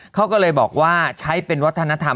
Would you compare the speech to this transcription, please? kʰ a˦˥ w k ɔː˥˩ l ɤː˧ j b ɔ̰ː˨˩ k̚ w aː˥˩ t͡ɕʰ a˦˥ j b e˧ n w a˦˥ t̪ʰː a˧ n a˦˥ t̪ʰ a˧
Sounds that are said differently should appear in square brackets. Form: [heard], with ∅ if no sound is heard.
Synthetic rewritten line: kʰ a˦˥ w k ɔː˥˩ l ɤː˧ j b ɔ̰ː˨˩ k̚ w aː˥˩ t͡ɕʰ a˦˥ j [p] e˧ n w a˦˥ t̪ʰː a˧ n a˦˥ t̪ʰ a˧